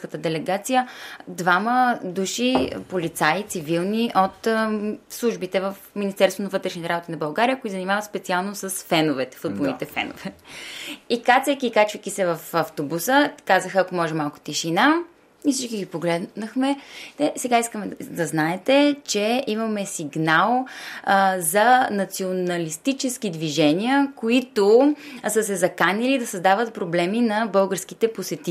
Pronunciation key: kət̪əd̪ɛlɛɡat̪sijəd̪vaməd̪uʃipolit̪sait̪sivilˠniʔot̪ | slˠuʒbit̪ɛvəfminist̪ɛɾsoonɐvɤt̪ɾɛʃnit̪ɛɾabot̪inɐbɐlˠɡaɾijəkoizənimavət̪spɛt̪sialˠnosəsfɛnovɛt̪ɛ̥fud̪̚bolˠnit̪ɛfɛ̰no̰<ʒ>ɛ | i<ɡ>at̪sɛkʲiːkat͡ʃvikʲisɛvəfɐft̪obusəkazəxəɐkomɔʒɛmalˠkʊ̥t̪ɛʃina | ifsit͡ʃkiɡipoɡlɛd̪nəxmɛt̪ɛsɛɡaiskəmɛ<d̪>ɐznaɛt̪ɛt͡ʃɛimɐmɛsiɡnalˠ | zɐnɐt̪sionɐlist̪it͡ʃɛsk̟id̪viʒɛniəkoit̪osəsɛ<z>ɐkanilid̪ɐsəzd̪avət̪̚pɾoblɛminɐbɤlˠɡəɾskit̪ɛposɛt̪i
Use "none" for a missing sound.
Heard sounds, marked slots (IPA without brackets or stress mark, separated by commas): v, k, d̪, z